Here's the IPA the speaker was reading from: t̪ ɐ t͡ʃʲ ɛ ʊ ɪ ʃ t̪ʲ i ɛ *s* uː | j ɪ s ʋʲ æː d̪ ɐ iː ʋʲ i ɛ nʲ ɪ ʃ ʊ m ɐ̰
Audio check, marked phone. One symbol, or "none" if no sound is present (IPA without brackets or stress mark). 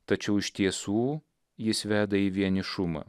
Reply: s